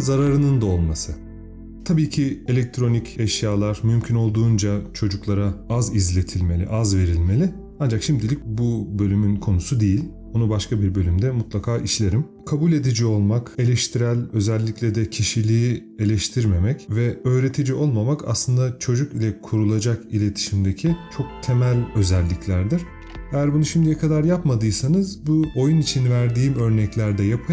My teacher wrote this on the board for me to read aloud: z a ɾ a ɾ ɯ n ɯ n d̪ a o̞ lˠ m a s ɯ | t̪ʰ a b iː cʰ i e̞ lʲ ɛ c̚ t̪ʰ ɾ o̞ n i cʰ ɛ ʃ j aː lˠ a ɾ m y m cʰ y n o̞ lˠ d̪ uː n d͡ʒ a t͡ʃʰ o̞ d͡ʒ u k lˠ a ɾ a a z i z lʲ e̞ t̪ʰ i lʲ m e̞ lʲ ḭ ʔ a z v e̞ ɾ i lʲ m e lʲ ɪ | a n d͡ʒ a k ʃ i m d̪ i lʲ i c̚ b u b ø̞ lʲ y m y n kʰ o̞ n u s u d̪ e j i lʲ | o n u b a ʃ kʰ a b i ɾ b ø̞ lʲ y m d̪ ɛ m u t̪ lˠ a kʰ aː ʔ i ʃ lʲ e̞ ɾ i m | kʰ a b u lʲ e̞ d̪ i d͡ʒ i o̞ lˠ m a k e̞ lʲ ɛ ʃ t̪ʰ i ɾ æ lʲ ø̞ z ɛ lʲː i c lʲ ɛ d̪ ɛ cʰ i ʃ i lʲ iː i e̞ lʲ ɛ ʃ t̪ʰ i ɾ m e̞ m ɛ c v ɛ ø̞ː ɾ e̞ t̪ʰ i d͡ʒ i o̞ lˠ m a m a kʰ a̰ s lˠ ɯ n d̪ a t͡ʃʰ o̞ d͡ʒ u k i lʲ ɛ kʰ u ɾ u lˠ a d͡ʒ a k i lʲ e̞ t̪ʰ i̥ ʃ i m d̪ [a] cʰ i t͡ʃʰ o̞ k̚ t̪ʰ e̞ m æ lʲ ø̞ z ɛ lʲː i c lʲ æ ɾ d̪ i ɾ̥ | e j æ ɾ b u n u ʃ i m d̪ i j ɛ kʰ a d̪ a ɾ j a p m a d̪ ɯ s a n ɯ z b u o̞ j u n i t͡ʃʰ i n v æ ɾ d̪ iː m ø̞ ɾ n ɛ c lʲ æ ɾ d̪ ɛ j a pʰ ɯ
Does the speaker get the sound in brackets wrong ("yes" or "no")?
yes